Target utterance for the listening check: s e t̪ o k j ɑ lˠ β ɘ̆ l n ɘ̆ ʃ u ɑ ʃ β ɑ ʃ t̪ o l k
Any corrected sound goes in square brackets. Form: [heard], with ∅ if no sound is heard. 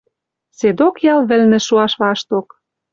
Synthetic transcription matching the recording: s e [d̪] o k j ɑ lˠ β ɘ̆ l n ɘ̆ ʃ u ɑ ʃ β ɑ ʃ t̪ o [∅] k